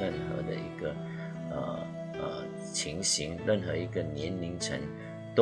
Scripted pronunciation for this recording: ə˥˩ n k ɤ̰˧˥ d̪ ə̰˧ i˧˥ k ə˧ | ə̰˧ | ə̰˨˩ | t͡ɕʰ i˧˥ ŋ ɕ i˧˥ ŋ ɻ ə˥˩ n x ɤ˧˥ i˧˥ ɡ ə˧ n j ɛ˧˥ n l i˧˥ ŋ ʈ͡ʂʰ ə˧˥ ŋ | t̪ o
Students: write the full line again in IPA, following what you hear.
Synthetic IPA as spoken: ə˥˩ n x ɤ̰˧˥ d̪ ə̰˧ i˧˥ ɡ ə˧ | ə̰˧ | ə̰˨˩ | t͡ɕʰ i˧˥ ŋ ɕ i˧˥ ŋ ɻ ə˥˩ n x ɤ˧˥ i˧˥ ɡ ə˧ n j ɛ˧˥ n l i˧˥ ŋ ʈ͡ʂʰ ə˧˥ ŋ | t̪ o